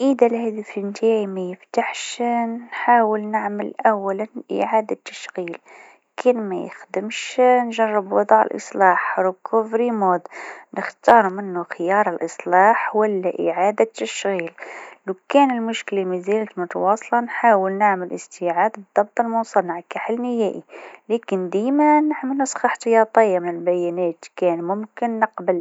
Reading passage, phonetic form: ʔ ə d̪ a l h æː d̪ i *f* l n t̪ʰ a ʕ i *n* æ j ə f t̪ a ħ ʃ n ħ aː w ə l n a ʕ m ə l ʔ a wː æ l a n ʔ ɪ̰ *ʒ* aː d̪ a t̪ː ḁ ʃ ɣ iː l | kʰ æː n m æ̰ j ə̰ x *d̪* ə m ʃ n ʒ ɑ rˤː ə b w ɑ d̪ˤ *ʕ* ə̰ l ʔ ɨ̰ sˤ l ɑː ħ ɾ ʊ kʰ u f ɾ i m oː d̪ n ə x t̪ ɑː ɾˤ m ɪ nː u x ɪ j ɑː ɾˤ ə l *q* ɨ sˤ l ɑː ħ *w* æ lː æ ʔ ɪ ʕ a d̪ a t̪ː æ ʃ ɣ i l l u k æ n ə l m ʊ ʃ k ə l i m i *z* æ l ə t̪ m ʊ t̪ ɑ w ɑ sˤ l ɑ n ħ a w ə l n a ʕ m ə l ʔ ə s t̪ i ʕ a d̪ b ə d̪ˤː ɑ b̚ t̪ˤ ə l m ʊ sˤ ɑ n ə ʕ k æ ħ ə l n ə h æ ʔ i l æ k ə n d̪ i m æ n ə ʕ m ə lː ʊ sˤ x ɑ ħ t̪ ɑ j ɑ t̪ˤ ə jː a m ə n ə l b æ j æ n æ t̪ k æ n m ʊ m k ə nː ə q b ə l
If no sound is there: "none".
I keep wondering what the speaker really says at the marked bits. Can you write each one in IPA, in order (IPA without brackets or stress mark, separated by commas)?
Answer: f, m, ʕ, d̪, ʕ, ʔ, w, z